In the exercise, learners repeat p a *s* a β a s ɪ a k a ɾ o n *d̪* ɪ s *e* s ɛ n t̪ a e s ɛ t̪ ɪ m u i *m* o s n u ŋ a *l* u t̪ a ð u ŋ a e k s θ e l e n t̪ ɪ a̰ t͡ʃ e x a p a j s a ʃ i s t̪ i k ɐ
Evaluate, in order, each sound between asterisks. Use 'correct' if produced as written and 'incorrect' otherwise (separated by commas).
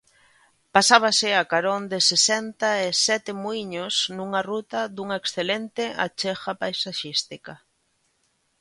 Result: correct, correct, correct, incorrect, incorrect